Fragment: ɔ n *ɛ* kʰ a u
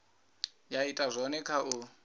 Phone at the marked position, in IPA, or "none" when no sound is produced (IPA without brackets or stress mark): ɛ